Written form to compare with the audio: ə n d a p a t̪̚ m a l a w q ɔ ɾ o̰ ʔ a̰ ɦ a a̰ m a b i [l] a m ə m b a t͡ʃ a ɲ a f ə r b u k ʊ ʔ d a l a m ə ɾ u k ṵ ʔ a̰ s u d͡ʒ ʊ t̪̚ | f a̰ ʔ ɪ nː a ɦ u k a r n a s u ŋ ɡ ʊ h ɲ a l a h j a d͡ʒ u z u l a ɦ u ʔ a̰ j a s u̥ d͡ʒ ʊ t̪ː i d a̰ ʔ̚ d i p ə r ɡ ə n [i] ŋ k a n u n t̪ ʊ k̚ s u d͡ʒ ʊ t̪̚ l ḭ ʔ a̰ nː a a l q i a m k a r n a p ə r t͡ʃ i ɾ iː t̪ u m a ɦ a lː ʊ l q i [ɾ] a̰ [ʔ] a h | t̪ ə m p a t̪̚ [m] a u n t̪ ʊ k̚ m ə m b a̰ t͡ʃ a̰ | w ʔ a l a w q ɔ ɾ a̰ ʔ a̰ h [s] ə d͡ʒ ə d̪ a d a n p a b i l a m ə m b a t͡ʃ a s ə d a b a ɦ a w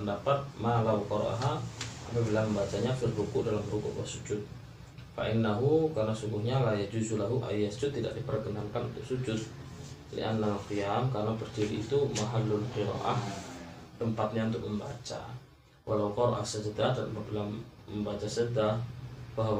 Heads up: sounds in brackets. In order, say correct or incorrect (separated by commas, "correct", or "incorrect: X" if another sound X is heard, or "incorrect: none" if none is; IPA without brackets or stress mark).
correct, incorrect: a, correct, correct, incorrect: ɲ, correct